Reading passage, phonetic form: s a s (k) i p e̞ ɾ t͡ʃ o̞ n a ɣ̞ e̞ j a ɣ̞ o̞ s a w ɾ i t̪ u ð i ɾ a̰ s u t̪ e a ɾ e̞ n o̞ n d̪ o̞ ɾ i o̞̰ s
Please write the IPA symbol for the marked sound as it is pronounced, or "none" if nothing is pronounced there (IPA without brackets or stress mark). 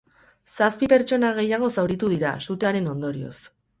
p